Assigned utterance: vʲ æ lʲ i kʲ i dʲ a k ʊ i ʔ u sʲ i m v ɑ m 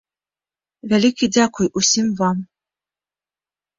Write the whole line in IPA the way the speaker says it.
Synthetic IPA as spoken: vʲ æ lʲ i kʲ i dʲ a k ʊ j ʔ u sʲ i m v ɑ m